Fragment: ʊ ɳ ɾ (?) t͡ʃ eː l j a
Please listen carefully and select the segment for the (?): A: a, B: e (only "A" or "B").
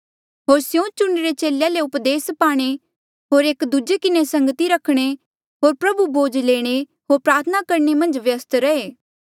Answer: B